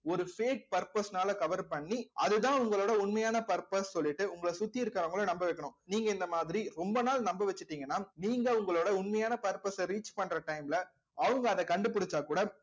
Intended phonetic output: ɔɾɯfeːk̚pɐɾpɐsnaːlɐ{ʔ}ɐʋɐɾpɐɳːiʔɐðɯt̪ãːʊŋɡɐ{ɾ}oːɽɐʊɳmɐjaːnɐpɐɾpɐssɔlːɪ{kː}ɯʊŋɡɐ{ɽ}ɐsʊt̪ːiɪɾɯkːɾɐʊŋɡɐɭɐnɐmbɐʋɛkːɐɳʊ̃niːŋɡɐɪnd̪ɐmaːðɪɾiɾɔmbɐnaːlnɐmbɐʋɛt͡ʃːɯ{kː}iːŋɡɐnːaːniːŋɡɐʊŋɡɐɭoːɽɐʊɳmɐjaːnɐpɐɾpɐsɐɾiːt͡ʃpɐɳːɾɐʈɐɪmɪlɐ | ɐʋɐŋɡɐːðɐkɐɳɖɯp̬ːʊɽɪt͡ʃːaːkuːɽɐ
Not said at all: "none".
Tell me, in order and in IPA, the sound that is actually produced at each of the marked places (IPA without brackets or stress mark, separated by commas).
k, ɭ, ʈː, ɭ, ʈː